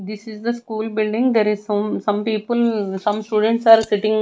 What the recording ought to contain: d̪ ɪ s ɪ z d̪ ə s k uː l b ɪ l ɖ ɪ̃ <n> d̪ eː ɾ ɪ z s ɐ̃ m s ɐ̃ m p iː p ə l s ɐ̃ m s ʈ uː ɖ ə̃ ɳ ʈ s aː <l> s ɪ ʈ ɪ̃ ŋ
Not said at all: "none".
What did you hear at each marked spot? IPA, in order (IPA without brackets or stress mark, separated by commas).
ŋ, ɾ